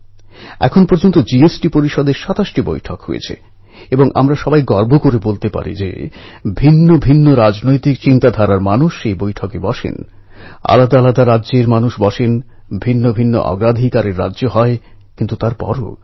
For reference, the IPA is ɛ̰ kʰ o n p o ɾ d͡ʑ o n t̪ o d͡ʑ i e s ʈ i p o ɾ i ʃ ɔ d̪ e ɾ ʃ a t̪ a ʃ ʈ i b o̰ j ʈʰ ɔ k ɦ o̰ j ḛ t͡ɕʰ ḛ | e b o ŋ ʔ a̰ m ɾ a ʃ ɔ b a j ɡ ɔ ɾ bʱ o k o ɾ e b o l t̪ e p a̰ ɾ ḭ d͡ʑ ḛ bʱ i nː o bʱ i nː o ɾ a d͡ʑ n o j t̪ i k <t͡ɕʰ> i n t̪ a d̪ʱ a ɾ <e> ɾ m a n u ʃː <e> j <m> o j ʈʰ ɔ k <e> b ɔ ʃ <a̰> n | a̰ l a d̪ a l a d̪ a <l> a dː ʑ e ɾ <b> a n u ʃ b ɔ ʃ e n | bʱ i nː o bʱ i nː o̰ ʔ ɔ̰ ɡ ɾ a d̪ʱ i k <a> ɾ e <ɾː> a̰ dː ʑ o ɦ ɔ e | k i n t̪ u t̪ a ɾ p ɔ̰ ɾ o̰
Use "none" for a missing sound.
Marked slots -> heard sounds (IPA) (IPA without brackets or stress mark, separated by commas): t͡ɕ, a, e, b, e, ḛ, ɾ, m, a, ɾː